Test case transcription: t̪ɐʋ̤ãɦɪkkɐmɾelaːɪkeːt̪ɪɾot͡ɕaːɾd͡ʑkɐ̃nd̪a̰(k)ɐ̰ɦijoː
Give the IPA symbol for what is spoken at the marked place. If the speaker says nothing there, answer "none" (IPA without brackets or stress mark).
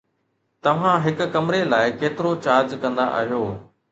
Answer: ʔ